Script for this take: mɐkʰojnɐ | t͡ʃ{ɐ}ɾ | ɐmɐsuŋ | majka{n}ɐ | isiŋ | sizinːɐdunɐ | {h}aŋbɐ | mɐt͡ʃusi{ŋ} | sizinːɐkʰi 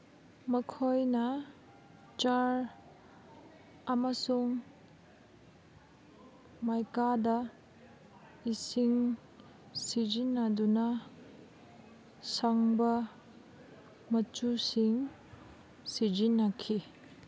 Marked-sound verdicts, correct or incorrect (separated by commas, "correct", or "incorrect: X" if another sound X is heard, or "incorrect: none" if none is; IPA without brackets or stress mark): incorrect: a, incorrect: d, incorrect: s, correct